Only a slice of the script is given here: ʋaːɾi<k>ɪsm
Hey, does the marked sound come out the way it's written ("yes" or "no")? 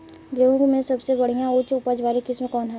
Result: yes